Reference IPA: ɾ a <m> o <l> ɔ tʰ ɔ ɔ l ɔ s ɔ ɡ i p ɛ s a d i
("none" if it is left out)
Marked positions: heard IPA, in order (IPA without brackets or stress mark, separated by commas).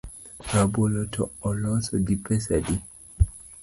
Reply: b, l